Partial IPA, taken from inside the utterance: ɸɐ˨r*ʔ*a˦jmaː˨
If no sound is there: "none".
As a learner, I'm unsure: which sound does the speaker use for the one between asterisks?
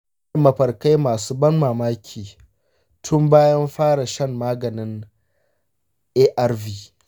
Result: k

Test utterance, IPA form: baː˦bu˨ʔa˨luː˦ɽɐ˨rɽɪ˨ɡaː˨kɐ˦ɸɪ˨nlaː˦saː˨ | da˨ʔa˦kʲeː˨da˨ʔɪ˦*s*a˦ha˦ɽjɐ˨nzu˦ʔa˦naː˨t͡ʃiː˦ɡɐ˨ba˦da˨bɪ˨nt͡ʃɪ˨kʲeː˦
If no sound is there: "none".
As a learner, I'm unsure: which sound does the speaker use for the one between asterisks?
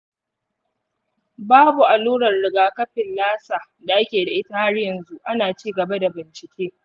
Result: t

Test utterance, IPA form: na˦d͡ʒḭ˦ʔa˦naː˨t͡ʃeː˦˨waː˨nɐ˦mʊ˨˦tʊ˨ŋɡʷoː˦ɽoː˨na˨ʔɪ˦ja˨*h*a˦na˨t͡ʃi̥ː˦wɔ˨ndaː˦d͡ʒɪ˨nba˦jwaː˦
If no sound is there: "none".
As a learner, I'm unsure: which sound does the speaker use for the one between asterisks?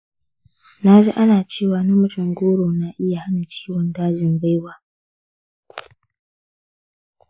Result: h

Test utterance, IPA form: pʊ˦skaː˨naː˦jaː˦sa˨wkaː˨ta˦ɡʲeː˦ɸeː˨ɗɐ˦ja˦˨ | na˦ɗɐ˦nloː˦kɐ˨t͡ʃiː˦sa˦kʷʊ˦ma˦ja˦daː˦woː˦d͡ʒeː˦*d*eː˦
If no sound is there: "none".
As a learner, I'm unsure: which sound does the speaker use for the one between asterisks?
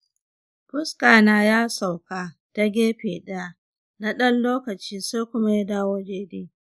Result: d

